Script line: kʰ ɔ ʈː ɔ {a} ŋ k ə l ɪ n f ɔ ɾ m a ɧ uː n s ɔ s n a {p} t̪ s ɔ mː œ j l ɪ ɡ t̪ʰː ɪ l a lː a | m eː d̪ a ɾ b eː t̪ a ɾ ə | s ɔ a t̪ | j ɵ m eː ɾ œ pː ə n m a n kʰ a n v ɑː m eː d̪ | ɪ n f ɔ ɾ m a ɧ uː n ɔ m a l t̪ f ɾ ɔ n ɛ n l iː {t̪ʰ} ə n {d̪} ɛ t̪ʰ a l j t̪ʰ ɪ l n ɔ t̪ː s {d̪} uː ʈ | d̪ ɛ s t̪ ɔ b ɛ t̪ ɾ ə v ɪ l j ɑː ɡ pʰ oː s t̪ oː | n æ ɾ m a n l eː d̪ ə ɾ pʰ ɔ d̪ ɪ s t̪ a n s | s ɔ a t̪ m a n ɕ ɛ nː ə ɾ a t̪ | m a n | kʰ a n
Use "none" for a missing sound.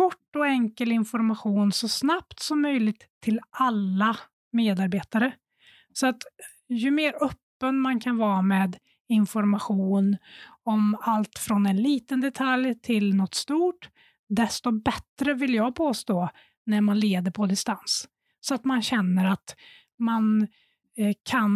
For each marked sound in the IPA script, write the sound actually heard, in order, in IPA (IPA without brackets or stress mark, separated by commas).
ɛ, p, t̪, d̪, t̪